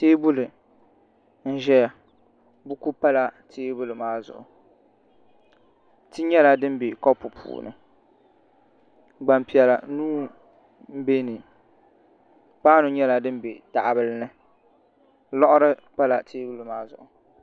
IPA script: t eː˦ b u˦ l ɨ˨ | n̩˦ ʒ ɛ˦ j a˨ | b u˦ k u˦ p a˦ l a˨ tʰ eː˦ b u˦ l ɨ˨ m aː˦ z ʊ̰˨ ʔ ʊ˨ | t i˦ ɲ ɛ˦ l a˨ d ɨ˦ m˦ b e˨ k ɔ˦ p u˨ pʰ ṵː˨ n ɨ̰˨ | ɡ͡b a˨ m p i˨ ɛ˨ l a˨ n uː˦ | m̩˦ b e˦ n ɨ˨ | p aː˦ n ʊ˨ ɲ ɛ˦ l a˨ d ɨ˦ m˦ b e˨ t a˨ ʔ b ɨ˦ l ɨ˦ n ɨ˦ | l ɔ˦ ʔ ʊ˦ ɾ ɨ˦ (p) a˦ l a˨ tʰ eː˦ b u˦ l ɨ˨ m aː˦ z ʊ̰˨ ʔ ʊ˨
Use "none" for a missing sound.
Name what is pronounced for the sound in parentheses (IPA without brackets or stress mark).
p